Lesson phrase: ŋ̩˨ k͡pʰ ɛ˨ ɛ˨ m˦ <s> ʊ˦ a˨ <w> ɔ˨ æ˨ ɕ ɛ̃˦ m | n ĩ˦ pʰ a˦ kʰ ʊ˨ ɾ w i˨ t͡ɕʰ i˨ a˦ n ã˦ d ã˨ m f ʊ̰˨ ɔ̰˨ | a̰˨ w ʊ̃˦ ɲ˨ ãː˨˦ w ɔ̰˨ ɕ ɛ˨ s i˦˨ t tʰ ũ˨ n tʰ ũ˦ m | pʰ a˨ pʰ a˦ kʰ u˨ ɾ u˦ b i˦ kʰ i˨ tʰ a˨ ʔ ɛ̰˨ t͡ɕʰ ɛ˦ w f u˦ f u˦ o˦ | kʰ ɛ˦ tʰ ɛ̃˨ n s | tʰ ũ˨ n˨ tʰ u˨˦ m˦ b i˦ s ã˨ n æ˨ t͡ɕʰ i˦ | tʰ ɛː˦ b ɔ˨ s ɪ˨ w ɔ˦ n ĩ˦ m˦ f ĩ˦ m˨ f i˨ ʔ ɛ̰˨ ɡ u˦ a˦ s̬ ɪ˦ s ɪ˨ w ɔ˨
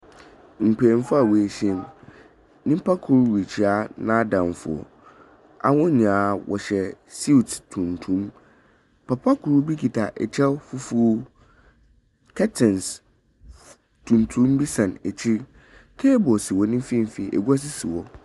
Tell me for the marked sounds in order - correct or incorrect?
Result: incorrect: f, correct

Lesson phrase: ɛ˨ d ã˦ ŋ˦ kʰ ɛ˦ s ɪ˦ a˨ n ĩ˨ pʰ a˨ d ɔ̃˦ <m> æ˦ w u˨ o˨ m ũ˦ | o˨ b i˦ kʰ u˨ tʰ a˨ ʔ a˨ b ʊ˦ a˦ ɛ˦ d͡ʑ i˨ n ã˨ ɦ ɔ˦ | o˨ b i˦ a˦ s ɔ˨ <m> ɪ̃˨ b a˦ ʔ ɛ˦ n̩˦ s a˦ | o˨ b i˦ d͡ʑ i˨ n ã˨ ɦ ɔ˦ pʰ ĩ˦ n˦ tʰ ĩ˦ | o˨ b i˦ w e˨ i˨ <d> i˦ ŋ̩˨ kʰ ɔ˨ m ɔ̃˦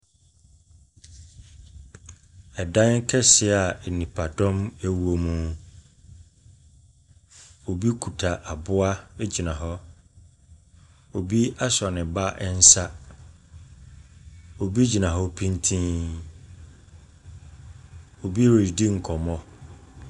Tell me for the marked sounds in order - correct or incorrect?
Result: correct, incorrect: n, correct

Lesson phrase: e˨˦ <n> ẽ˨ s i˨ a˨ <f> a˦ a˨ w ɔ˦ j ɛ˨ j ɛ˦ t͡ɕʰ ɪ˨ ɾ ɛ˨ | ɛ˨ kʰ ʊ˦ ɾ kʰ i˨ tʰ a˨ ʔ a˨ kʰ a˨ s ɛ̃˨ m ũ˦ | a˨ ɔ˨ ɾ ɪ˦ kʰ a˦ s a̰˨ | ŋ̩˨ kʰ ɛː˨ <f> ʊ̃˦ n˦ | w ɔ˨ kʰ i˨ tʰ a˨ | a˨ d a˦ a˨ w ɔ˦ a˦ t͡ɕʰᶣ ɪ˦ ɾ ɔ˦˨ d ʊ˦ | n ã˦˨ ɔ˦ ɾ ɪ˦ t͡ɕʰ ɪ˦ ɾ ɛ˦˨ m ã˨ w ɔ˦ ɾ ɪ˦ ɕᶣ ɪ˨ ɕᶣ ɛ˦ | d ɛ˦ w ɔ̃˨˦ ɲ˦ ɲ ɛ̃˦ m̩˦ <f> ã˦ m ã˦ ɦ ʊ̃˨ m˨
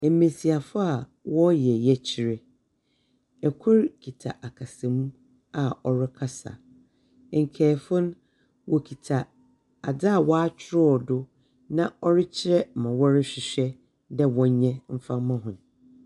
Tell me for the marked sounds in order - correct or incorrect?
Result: incorrect: m, correct, correct, correct

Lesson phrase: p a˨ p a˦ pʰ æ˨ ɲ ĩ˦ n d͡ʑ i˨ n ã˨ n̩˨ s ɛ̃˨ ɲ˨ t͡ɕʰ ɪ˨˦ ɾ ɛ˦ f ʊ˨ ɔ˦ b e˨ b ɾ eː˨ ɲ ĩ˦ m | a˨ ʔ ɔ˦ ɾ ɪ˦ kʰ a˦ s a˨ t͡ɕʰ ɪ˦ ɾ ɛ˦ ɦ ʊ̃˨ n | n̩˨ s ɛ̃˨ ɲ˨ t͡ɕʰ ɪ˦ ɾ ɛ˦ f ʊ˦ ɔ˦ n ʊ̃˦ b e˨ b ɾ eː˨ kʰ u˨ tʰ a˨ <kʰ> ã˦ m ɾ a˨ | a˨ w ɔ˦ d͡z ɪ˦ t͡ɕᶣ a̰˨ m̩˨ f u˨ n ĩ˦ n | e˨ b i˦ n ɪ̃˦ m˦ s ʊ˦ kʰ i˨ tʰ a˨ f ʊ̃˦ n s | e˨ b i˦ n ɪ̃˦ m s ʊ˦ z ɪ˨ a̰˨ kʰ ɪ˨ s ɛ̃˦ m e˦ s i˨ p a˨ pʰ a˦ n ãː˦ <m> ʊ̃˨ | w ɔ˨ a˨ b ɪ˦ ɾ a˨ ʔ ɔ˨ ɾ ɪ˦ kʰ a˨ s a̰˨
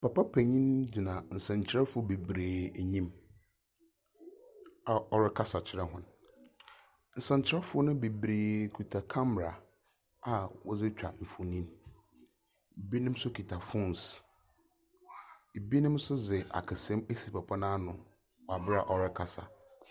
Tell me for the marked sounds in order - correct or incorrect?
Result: correct, incorrect: n

